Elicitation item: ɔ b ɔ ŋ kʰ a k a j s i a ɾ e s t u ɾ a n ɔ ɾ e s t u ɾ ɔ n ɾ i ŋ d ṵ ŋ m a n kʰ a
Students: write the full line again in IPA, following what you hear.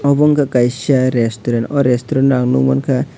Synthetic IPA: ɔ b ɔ ŋ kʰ a k a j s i a ɾ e s t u ɾ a n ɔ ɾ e s t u ɾ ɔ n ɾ a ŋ n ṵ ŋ m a n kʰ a